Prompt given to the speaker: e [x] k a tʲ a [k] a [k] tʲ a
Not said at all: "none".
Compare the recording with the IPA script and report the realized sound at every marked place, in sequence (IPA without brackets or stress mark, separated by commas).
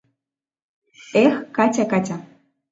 x, k, none